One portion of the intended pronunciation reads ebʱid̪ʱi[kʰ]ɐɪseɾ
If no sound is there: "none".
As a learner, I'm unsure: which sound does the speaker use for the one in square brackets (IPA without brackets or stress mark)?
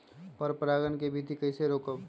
k